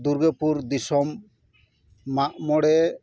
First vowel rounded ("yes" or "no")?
yes